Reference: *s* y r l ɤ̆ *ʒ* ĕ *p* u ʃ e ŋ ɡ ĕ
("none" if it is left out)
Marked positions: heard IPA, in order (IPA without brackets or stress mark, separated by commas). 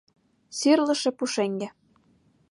s, ʃ, p